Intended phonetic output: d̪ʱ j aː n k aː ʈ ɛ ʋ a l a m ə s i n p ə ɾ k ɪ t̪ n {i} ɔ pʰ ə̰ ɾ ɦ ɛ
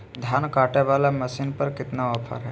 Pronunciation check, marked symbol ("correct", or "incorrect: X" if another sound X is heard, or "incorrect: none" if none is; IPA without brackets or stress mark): incorrect: a